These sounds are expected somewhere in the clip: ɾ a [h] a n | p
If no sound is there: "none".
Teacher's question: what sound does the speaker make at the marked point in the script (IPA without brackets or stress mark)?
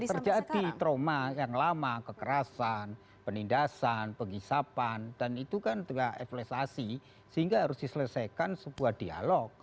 s